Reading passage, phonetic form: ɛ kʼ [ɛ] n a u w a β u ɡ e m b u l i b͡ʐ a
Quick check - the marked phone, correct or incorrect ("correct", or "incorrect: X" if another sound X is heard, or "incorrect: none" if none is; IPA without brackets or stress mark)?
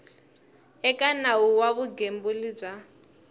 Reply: incorrect: a